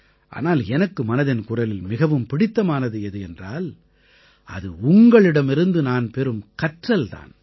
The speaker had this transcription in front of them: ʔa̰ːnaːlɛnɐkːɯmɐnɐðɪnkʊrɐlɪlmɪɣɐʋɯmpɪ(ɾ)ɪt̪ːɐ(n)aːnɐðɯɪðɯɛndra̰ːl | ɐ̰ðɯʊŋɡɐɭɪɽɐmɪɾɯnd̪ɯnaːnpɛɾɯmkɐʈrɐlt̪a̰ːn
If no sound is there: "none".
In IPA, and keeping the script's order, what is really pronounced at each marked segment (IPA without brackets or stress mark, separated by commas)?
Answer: ɽ, m